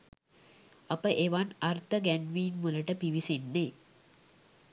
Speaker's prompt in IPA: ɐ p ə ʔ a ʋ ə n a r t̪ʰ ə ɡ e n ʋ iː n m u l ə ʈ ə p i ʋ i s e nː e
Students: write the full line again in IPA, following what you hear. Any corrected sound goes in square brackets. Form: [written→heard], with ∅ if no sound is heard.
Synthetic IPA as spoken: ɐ p ə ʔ [a→e] ʋ [ə→a] n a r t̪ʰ ə ɡ [e→æ] n ʋ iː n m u l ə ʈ ə p i ʋ i s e nː e